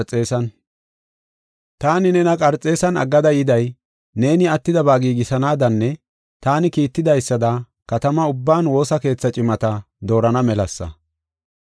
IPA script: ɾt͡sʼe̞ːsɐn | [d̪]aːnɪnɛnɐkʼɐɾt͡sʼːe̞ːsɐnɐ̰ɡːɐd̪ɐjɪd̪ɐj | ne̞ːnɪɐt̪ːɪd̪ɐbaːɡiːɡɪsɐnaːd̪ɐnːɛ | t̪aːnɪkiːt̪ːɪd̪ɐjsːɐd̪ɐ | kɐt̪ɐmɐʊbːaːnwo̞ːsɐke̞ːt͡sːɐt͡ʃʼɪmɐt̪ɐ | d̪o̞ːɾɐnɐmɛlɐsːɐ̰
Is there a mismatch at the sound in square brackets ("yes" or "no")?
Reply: yes